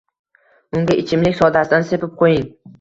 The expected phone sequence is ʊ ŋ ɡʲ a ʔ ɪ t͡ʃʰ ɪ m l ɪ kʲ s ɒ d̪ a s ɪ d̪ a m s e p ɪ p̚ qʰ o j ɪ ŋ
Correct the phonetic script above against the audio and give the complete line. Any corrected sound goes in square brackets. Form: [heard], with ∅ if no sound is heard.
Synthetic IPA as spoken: ʊ ŋ ɡʲ a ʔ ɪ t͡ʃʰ ɪ m l ɪ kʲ s ɒ d̪ a s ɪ d̪ a [n] s e p ɪ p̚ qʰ o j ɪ ŋ